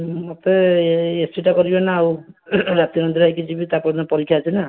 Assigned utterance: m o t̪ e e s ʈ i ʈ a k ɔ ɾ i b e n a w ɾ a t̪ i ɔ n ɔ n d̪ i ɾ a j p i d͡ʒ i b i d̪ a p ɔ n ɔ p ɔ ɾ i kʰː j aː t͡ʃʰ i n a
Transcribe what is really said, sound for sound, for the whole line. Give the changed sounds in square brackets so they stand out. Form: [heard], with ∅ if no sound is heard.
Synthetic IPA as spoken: m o t̪ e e s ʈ i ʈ a k ɔ ɾ i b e n a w ɾ a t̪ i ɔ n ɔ n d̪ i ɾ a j [k] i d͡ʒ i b i [t̪] a p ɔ n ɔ p ɔ ɾ i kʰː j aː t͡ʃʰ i n a

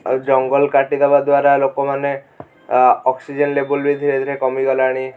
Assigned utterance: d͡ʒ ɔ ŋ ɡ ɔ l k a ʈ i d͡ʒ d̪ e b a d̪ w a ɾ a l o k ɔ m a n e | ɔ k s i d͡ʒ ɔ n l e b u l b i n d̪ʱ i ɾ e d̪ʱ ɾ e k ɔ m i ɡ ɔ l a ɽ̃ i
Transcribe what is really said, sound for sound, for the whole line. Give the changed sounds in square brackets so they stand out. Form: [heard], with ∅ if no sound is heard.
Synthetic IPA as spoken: d͡ʒ ɔ ŋ ɡ ɔ l k a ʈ i [∅] d̪ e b a d̪ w a ɾ a l o k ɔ m a n e | ɔ k s i d͡ʒ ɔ n l e b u l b i [∅] d̪ʱ i ɾ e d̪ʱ ɾ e k ɔ m i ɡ ɔ l a ɽ̃ i

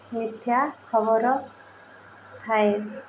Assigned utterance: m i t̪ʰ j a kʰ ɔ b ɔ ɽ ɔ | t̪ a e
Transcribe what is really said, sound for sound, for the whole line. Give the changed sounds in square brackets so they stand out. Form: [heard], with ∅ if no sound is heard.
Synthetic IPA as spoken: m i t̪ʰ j a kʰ ɔ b ɔ [ɾ] ɔ | [t̪ʰ] a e

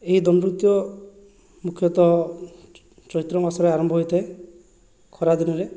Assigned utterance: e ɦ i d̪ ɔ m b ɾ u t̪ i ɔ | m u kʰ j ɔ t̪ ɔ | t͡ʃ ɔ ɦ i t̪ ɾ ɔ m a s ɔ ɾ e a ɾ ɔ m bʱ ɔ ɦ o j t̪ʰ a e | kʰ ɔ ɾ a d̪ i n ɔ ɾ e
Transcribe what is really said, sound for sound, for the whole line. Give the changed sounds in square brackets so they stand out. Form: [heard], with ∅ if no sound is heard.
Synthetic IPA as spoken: e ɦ i d̪ ɔ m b ɾ u t̪ [j] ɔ | m u kʰ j ɔ t̪ ɔ | t͡ʃ ɔ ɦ i t̪ ɾ ɔ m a s ɔ ɾ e a ɾ ɔ m bʱ ɔ ɦ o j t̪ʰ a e | kʰ ɔ ɾ a d̪ i n ɔ ɾ e

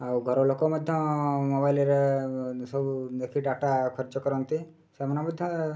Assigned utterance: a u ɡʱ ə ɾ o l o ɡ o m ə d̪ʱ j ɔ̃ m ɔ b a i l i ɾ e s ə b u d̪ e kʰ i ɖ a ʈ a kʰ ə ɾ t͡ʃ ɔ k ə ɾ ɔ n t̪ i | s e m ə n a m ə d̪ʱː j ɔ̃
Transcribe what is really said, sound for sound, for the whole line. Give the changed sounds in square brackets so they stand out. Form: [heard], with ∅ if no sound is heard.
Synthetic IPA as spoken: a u ɡʱ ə ɾ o l o [k] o m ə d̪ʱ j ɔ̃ m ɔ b a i l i ɾ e s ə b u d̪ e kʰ i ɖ a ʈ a kʰ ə ɾ t͡ʃ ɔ k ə ɾ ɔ n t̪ i | s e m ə n a m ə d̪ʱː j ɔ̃

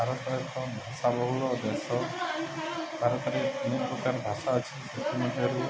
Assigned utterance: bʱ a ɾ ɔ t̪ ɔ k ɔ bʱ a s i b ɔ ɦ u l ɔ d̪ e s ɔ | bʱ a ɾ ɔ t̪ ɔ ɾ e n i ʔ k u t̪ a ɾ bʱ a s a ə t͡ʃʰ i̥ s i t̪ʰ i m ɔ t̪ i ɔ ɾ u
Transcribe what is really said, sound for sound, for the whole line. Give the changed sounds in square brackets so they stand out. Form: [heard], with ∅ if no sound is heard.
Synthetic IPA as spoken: bʱ a ɾ ɔ t̪ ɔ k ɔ bʱ a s [a] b ɔ ɦ u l ɔ d̪ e s ɔ | bʱ a ɾ ɔ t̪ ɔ ɾ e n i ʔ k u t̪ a ɾ bʱ a s a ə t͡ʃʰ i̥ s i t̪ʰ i m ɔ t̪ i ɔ ɾ u

